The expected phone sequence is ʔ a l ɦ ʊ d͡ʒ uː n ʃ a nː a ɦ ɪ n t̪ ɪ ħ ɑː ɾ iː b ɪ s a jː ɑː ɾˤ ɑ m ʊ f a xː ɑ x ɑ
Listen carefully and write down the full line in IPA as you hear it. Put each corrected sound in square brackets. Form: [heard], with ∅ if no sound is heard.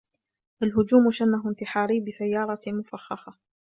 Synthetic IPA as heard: ʔ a l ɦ ʊ d͡ʒ uː [m] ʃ a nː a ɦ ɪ n t̪ ɪ ħ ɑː ɾ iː b ɪ s a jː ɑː ɾˤ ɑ m ʊ f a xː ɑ x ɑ

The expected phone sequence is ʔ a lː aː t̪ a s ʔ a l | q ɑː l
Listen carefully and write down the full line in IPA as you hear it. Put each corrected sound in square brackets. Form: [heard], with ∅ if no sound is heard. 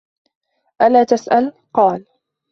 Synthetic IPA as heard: ʔ a [l] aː t̪ a s ʔ a l | q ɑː l

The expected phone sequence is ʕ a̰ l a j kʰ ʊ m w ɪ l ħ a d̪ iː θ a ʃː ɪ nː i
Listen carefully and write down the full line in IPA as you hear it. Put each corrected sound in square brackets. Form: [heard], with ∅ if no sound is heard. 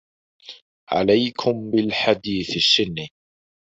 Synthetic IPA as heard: ʕ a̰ l a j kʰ ʊ m [b] ɪ l ħ a d̪ iː θ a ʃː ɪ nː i

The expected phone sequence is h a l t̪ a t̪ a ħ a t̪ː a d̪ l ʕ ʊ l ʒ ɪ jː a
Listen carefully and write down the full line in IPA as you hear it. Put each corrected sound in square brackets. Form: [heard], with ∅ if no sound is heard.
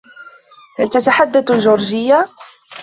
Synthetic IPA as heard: h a l t̪ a t̪ a ħ a [d̪ː] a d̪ l [ʒ] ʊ [ɾ] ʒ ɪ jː a

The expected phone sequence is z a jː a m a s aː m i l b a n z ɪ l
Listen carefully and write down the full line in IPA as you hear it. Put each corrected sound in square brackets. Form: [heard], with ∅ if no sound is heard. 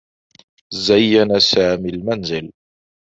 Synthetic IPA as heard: z a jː a [n] a s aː m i l [m] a n z ɪ l

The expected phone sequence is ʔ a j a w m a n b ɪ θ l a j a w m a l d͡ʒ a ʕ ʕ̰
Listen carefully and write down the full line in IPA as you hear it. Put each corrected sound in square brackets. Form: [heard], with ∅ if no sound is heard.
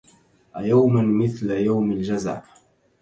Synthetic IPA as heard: ʔ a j a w m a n [m] ɪ θ l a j a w m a l d͡ʒ a [z] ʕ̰

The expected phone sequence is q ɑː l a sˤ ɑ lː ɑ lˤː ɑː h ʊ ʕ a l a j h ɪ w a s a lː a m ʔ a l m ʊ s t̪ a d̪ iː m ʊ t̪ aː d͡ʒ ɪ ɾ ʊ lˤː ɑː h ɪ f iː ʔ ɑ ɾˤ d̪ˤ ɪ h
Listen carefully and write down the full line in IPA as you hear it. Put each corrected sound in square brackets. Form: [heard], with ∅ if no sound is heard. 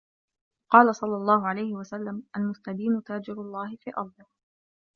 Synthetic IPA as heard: q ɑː l a sˤ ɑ lː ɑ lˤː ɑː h ʊ ʕ a l a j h ɪ w a s a lː a m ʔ a l m ʊ s t̪ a d̪ iː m ʊ t̪ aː d͡ʒ ɪ ɾ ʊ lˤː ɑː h ɪ f iː ʔ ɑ ɾˤ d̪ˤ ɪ h

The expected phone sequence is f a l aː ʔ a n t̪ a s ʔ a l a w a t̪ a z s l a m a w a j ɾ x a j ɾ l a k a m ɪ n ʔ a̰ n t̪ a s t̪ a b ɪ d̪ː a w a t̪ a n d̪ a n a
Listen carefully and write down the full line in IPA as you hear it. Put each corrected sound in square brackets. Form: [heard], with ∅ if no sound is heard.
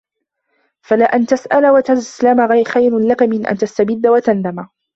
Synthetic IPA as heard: f a l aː ʔ a n t̪ a s ʔ a l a w a t̪ a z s l a m a [ɣ] a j ɾ x a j ɾ l a k a m ɪ n ʔ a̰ n t̪ a s t̪ a b ɪ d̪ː a w a t̪ a n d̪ a [m] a

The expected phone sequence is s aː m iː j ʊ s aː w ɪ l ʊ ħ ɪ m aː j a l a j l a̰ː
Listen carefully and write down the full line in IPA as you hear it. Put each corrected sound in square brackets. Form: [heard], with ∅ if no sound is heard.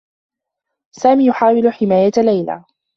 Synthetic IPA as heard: s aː m iː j ʊ [ħ] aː w ɪ l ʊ ħ ɪ m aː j a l a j l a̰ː

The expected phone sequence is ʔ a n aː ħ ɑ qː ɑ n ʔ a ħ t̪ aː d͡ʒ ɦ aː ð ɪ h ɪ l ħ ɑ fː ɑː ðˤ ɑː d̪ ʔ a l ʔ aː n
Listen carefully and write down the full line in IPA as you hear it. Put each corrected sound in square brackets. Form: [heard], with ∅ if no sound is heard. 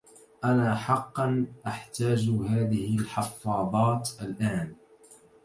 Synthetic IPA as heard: ʔ a n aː ħ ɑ qː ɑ n ʔ a ħ t̪ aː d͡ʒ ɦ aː ð ɪ h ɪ l ħ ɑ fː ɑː ðˤ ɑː [t̪] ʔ a l ʔ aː n

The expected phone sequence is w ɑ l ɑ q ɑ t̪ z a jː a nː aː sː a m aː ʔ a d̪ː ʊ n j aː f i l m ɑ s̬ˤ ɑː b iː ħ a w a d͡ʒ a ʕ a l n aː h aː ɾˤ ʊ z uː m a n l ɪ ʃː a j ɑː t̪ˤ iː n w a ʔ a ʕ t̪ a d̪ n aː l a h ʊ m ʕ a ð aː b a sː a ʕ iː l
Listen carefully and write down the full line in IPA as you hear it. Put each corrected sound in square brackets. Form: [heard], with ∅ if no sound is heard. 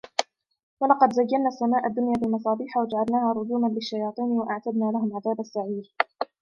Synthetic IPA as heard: w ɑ l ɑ q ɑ [d̪] z a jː a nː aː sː a m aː ʔ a d̪ː ʊ n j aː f i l m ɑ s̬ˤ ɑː b iː ħ a w a d͡ʒ a ʕ a l n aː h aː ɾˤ ʊ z uː m a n l ɪ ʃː a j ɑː t̪ˤ iː n w a ʔ a ʕ t̪ a d̪ n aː l a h ʊ m ʕ a ð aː b a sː a ʕ iː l

